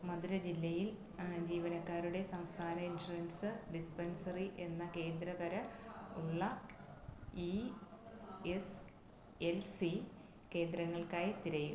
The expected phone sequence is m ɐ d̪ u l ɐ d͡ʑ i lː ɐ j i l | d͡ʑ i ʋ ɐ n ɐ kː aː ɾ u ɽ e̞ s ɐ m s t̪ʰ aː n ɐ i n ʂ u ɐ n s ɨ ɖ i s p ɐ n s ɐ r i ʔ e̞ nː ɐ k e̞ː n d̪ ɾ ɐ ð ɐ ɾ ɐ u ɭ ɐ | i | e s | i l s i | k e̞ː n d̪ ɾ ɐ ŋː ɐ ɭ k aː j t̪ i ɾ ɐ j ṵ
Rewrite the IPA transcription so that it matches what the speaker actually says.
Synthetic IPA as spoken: m ɐ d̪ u ɾ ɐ d͡ʑ i lː ɐ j i l | d͡ʑ iː ʋ ɐ n ɐ kː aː ɾ u ɽ e̞ s ɐ m s t̪ʰ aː n ɐ i n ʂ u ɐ n s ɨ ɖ i s p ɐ n s ɐ r i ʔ e̞ nː ɐ k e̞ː n d̪ ɾ ɐ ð ɐ ɾ ɐ u ɭː ɐ | i | e s | e l s i | k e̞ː n d̪ ɾ ɐ ŋː ɐ ɭ k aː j t̪ i ɾ ɐ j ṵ